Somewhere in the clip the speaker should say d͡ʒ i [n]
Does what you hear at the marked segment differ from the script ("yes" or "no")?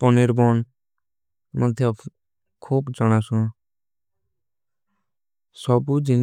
no